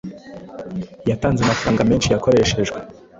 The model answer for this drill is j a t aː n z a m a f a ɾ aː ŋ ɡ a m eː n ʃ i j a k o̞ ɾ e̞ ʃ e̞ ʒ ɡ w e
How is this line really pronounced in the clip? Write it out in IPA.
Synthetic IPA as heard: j a t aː n z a m a f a ɾ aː ŋ ɡ a m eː n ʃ i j a k o̞ ɾ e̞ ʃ e̞ ʒ ɡ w e